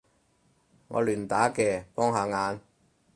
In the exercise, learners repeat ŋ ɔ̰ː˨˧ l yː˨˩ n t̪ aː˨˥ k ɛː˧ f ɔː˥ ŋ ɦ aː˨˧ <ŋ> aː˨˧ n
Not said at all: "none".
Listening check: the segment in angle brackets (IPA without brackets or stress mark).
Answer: ŋ